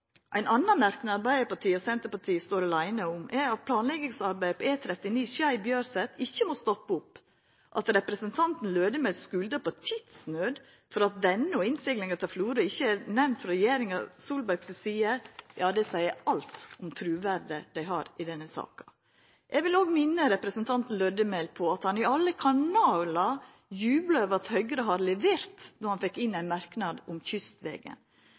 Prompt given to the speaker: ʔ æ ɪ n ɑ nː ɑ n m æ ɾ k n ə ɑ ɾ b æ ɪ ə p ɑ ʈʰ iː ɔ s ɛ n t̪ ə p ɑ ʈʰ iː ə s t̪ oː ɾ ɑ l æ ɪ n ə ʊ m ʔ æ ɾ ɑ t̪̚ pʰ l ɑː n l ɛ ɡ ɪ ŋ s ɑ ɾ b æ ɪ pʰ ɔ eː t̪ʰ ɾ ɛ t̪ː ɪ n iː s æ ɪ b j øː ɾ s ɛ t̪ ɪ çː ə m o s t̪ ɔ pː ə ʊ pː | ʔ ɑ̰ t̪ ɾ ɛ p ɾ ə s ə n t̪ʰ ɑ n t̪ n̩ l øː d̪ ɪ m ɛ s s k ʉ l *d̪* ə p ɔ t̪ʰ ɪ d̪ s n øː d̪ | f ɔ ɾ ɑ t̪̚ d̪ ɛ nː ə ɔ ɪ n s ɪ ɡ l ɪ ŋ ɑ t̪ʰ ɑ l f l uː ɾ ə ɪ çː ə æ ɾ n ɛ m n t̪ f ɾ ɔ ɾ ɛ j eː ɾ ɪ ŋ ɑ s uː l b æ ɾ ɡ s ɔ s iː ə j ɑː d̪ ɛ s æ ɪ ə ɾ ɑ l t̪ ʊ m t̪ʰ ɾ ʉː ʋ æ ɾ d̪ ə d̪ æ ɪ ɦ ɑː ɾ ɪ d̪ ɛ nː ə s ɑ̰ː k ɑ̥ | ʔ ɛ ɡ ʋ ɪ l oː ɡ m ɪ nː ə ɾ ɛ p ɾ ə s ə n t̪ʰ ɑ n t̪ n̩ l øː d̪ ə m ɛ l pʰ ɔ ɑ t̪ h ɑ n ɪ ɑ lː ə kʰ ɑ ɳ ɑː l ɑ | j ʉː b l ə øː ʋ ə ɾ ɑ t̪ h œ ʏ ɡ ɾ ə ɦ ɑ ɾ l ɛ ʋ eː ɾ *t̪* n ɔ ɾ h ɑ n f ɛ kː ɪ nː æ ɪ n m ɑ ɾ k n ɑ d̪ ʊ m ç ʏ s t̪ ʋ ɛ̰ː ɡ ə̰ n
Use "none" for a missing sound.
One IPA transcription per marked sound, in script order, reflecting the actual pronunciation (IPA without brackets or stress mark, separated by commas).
d̪, t̪